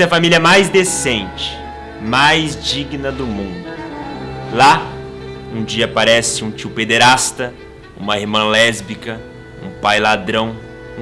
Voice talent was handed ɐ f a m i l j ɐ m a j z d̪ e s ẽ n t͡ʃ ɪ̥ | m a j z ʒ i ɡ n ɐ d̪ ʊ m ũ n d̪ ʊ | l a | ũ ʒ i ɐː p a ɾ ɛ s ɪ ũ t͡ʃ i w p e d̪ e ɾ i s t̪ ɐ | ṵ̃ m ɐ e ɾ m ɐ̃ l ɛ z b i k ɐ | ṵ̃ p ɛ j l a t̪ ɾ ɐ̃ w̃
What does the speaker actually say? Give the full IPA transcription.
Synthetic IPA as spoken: ɐ f a m i l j ɐ m a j z d̪ e s ẽ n t͡ʃ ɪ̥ | m a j z d͡ʒ i ɡ n ɐ d̪ ʊ m ũ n d̪ ʊ | l a | ũ d͡ʒ i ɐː p a ɾ ɛ s ɪ ũ t͡ʃ i w p e d̪ e ɾ a s t̪ ɐ | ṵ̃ m ɐ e ɾ m ɐ̃ l ɛ z b i k ɐ | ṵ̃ p a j l a d̪ ɾ ɐ̃ w̃